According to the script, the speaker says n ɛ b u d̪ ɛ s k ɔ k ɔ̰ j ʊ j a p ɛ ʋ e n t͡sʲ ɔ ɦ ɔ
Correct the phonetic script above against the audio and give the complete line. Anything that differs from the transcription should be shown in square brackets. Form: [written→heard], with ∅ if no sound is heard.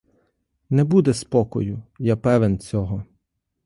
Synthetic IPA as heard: n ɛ b u d̪ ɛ s [k→p] ɔ k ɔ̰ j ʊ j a p ɛ ʋ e n t͡sʲ ɔ ɦ ɔ